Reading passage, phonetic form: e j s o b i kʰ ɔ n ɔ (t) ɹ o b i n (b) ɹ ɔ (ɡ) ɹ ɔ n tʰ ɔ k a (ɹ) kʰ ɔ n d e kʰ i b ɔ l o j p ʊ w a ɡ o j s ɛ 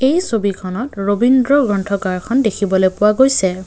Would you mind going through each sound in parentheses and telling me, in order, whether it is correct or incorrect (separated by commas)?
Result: correct, incorrect, correct, correct